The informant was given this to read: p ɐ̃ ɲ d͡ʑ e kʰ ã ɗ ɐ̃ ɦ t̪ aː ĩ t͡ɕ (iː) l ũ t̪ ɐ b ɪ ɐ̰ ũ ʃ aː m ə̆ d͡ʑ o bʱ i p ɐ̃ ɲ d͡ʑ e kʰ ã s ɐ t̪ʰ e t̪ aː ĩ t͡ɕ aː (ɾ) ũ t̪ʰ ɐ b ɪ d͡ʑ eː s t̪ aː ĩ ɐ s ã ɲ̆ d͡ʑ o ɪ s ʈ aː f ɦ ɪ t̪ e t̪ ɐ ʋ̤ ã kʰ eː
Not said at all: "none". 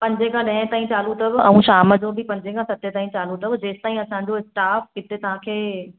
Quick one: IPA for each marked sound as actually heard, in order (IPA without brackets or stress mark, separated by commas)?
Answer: aː, l